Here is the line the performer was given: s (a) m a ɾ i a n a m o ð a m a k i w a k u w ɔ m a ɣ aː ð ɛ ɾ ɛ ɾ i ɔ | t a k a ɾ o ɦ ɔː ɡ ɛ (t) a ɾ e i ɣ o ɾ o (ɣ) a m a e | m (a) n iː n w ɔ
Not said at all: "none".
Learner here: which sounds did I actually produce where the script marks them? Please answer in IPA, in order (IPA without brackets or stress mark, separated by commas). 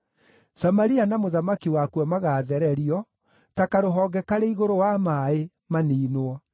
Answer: a, k, w, a